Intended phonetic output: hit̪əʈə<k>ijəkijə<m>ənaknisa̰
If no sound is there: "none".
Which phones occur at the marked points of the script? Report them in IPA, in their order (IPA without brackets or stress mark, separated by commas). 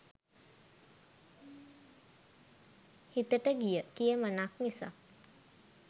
ɡ, m